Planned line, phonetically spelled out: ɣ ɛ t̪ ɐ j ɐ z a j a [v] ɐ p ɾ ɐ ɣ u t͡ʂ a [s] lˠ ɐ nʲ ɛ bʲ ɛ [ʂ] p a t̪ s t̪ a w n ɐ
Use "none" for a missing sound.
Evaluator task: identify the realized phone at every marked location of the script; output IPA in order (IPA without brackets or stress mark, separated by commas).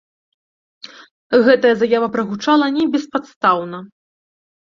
v, none, s